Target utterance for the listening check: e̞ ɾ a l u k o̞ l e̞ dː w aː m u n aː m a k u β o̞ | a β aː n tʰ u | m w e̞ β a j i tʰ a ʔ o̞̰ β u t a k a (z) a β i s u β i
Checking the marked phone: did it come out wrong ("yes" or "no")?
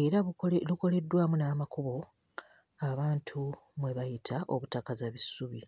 no